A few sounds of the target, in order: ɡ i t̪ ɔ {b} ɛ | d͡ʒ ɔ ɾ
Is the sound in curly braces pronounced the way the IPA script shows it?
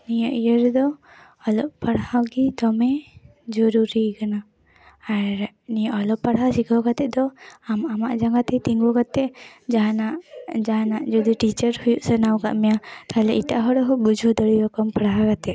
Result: no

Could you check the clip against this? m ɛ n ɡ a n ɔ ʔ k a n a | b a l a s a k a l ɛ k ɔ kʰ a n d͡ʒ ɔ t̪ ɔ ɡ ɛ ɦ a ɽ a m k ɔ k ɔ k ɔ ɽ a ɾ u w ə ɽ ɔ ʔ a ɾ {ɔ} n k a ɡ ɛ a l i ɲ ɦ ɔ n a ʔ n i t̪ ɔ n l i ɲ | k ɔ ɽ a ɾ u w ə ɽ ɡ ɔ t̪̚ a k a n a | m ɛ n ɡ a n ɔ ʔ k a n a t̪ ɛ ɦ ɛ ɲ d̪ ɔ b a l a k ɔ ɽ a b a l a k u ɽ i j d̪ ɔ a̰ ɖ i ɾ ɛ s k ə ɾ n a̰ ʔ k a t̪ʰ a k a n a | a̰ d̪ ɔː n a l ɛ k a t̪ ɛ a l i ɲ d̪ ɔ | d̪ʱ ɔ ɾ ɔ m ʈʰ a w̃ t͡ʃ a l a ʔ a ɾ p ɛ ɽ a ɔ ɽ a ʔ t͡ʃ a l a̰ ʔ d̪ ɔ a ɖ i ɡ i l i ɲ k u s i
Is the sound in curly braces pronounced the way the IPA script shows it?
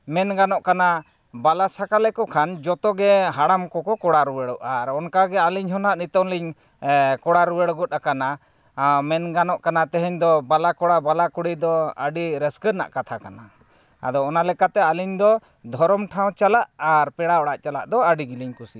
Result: yes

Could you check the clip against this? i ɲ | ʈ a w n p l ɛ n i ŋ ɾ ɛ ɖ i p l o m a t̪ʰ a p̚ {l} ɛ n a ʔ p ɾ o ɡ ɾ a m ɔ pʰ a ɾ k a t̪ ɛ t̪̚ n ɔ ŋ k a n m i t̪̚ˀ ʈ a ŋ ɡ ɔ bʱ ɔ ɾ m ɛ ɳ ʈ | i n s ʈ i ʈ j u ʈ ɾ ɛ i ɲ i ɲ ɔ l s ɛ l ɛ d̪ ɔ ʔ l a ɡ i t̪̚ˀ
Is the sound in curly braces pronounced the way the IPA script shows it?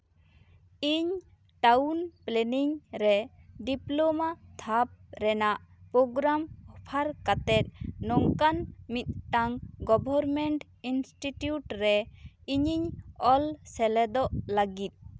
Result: no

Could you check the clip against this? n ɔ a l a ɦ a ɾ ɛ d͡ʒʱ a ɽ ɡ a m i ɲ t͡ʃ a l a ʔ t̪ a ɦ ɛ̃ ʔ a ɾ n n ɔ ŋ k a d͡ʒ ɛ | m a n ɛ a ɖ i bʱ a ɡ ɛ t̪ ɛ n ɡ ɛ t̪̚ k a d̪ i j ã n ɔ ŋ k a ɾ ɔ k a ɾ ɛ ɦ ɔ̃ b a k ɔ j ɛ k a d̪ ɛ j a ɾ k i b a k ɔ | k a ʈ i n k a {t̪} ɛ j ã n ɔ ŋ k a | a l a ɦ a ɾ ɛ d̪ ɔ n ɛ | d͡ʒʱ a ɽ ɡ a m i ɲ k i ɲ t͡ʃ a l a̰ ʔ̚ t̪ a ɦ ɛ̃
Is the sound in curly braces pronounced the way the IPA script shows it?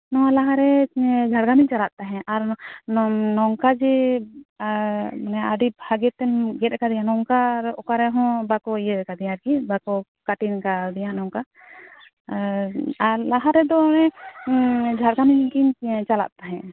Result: no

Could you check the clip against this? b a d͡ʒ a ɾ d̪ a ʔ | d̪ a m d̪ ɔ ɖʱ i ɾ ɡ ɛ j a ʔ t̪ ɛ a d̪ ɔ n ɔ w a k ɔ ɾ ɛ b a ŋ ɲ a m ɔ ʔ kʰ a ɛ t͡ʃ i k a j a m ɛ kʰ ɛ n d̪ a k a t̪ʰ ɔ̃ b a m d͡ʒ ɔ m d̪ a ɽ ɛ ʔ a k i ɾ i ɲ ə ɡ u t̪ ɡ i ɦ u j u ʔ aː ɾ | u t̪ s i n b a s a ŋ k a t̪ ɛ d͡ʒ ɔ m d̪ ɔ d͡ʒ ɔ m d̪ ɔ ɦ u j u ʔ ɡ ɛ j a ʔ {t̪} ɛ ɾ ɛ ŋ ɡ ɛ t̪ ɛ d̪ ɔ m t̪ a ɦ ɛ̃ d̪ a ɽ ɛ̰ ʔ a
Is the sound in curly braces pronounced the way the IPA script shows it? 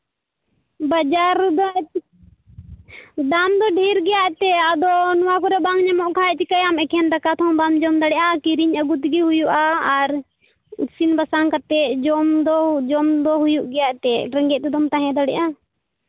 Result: yes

